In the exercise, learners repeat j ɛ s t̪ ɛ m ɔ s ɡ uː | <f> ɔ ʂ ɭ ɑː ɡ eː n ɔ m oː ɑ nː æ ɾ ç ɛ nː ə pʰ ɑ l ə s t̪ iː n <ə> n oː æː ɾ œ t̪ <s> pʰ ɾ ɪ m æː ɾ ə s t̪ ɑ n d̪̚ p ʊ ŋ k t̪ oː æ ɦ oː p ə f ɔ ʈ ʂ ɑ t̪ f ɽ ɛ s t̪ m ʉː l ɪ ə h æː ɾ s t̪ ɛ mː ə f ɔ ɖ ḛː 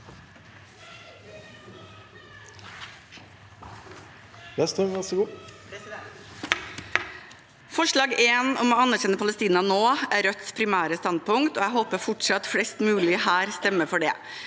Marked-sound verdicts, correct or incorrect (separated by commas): correct, incorrect, correct